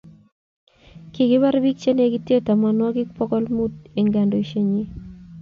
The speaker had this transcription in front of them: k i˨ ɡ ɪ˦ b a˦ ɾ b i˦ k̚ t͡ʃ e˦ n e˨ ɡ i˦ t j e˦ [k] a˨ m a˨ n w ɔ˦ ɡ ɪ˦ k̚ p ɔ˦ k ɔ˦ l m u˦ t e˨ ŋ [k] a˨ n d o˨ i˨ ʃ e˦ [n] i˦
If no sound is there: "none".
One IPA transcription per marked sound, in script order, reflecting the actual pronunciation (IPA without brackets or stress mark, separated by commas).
t, ɡ, ɲ